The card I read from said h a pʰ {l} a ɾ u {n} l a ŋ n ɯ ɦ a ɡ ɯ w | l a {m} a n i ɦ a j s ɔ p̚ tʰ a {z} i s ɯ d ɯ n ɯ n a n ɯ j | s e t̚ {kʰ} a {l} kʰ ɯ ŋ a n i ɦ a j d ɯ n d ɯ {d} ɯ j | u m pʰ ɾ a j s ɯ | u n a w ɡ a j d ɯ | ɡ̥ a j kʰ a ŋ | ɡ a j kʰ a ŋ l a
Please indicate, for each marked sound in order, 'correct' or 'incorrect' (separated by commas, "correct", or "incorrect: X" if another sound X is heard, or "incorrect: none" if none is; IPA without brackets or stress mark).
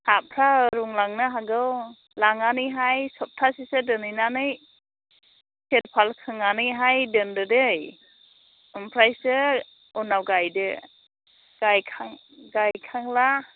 incorrect: ɾ, incorrect: ŋ, incorrect: ŋ, incorrect: s, incorrect: pʰ, correct, correct